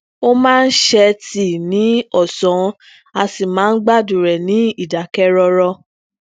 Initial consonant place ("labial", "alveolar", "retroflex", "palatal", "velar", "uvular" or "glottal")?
labial